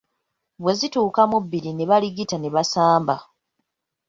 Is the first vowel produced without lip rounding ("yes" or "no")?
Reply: yes